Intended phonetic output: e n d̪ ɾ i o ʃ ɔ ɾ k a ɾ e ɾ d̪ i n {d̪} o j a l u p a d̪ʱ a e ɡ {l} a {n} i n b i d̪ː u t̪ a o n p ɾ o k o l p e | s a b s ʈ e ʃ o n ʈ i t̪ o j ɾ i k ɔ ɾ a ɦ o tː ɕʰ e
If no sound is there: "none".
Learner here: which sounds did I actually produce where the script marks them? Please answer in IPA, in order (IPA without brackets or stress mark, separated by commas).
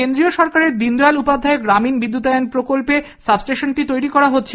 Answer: d̪, ɾ, m